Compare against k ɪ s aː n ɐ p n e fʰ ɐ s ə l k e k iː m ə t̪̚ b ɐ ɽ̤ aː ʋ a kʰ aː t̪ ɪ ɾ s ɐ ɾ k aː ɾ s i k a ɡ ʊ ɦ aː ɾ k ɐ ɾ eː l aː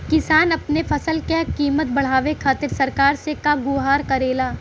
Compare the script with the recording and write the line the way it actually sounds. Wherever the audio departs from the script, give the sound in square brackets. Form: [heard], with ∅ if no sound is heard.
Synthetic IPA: k ɪ s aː n ɐ p n e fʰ ɐ s ə l k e k iː m ə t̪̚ b ɐ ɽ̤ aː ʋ [e] kʰ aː t̪ ɪ ɾ s ɐ ɾ k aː ɾ s [e] k a ɡ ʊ ɦ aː ɾ k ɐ ɾ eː l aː